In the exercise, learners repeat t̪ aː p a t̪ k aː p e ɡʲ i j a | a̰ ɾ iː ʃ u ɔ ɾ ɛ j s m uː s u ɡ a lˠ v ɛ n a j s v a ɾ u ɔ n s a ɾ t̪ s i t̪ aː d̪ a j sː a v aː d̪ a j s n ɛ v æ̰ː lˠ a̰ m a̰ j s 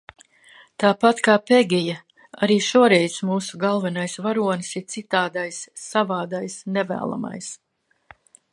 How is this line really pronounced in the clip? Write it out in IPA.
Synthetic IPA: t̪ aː p a t̪ k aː p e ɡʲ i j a | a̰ ɾ iː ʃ u ɔ ɾ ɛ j s m uː s u ɡ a lˠ v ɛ n a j s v a ɾ u ɔ n s i ɾ t̪ s i t̪ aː d̪ a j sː a v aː d̪ a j s n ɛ v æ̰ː lˠ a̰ m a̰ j s